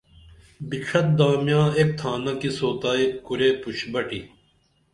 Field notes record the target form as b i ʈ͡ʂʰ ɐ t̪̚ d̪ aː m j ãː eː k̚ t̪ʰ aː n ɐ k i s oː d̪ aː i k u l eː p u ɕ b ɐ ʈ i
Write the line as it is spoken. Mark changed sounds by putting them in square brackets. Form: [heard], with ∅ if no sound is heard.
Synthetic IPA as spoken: b i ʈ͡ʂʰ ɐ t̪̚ d̪ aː m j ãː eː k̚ t̪ʰ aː n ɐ k i s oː [t̪] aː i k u [ɾ] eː p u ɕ b ɐ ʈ i